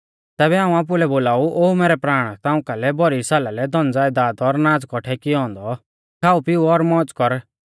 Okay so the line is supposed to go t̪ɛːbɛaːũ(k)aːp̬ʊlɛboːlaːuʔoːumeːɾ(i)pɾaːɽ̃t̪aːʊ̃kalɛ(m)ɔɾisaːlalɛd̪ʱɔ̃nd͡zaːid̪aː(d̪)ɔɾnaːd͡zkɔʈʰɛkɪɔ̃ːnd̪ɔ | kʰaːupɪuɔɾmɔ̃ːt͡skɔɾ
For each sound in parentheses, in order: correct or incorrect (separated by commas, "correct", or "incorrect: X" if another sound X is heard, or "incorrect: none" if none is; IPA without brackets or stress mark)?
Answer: incorrect: none, incorrect: ɛ, incorrect: b, correct